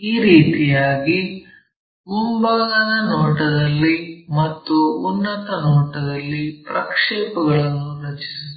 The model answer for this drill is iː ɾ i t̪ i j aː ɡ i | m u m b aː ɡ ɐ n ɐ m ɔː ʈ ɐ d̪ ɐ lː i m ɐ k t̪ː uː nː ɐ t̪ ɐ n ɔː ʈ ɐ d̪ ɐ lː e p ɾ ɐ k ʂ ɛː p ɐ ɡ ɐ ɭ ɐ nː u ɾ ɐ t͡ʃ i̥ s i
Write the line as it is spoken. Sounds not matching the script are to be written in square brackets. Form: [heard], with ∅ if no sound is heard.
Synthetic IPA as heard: iː ɾ [iː] t̪ i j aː ɡ i | m u m b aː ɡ ɐ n ɐ [n] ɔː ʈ ɐ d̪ ɐ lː i m ɐ [∅] t̪ː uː nː ɐ t̪ ɐ n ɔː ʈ ɐ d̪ ɐ lː [i] p ɾ ɐ k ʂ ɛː p ɐ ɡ ɐ ɭ ɐ nː u ɾ ɐ t͡ʃ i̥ s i

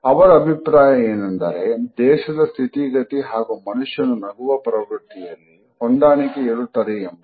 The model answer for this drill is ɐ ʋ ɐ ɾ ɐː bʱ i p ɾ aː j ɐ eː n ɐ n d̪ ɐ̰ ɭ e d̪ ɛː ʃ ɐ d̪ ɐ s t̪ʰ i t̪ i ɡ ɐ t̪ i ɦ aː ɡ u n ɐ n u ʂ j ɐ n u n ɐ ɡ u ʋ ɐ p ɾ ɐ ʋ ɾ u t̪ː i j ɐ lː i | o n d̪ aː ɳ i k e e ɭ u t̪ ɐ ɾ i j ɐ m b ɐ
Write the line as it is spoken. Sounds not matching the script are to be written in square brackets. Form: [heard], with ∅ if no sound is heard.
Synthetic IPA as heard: ɐ ʋ ɐ ɾ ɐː bʱ i p ɾ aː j ɐ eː n ɐ n d̪ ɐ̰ [ɾ] e d̪ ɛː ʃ ɐ d̪ ɐ s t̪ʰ i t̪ i ɡ ɐ t̪ i ɦ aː ɡ u [m] ɐ n u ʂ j ɐ n u n ɐ ɡ u ʋ ɐ p ɾ ɐ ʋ ɾ u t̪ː i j ɐ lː i | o n d̪ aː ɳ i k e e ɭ u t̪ ɐ ɾ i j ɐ m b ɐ

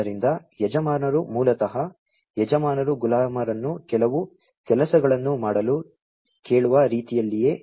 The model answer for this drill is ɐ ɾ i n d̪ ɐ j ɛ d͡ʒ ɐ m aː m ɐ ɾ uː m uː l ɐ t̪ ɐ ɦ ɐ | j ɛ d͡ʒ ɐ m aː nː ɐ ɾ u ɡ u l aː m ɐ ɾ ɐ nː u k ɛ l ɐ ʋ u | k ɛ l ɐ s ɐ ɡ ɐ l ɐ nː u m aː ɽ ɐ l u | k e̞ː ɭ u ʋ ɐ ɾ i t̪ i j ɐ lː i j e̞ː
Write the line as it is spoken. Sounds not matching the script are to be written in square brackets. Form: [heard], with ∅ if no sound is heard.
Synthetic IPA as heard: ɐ ɾ i n d̪ ɐ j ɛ d͡ʒ ɐ m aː [n] ɐ ɾ [u] m uː l ɐ t̪ ɐ ɦ ɐ | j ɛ d͡ʒ ɐ m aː [n] ɐ ɾ u ɡ u l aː m ɐ ɾ ɐ nː u k ɛ l ɐ ʋ u | k ɛ l ɐ s ɐ ɡ ɐ [ɭ] ɐ nː u m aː ɽ ɐ l u | k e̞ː ɭ u ʋ ɐ ɾ [iː] t̪ i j ɐ lː i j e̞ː

